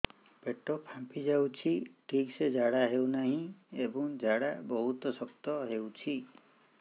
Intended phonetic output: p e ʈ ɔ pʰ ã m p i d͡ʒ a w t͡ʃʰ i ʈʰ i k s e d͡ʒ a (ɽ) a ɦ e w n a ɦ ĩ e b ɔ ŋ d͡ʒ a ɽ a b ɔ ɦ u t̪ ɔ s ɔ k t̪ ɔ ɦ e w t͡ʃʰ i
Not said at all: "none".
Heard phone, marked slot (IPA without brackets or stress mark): ɽ